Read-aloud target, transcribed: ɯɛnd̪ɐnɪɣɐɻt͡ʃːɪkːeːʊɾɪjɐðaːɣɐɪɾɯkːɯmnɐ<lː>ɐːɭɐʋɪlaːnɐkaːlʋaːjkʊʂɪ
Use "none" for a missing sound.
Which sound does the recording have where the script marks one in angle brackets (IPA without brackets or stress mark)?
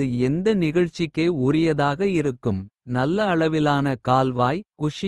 lː